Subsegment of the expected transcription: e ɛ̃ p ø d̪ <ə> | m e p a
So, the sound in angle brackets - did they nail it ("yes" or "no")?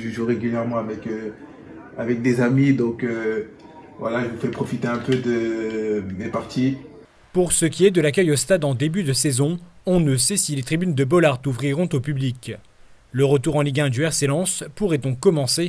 yes